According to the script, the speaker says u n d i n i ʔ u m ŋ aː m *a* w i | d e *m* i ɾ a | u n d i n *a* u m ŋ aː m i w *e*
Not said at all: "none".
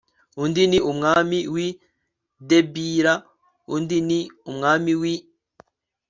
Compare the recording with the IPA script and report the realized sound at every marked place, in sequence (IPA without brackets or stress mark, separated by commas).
i, b, i, i